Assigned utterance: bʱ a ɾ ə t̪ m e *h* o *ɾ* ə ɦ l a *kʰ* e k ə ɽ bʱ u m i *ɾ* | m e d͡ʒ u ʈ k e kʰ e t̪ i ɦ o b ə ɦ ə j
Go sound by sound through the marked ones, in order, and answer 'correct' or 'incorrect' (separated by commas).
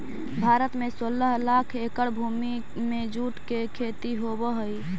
incorrect, incorrect, correct, incorrect